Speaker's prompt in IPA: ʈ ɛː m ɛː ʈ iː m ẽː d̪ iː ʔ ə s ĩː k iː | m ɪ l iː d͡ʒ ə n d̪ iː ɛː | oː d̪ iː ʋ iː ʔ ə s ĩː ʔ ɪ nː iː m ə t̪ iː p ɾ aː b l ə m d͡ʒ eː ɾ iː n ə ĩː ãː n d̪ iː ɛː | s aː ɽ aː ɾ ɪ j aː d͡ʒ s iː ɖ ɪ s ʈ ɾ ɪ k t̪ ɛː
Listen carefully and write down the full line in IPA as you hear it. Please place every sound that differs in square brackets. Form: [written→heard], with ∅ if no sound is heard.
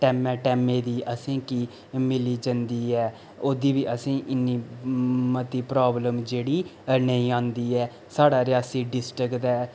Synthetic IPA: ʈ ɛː m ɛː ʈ [iː→ɛː] m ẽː d̪ iː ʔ ə s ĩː k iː | m ɪ l iː d͡ʒ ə n d̪ iː ɛː | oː d̪ iː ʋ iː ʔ ə s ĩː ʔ ɪ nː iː m ə t̪ iː p ɾ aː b l ə m d͡ʒ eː [ɾ→ɽ] iː n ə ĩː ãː n d̪ iː ɛː | s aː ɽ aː ɾ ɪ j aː [d͡ʒ→∅] s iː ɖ ɪ s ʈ ɾ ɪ k t̪ ɛː

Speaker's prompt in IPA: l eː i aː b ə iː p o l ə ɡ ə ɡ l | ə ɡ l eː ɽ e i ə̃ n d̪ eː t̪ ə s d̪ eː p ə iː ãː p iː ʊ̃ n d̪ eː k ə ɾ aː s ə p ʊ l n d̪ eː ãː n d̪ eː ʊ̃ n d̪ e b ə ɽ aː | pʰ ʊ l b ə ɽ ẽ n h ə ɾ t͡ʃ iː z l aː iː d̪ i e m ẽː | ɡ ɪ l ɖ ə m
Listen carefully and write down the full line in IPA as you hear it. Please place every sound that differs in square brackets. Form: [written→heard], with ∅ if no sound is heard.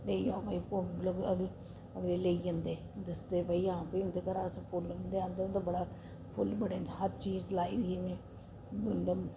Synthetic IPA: l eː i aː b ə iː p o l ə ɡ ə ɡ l | ə ɡ l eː [ɽ→l] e i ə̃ n d̪ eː [t̪→d̪] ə s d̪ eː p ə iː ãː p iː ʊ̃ n d̪ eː k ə ɾ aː s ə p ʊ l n d̪ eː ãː n d̪ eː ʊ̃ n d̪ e b ə ɽ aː | pʰ ʊ l b ə ɽ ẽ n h ə ɾ t͡ʃ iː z l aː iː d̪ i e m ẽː | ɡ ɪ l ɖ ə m

